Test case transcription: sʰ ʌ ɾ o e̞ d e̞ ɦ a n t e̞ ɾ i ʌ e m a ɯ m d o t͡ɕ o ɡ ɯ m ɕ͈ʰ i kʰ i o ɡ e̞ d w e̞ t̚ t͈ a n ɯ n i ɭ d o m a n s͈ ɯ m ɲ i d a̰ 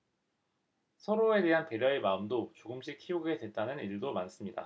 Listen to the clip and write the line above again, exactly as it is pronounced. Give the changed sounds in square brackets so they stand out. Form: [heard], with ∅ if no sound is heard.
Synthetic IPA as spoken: sʰ ʌ ɾ o e̞ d e̞ ɦ a n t e̞ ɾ [j] ʌ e m a ɯ m d o t͡ɕ o ɡ ɯ m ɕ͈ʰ i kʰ i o ɡ e̞ d w e̞ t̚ t͈ a n ɯ n i ɭ d o m a n s͈ ɯ m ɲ i d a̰